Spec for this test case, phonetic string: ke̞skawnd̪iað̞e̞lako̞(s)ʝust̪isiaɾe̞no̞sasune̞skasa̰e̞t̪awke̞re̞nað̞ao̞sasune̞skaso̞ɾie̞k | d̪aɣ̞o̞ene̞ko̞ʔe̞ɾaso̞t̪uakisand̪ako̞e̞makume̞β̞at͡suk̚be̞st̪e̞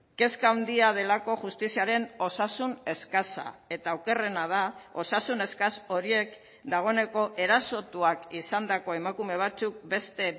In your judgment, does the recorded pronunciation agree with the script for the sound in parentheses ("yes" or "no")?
no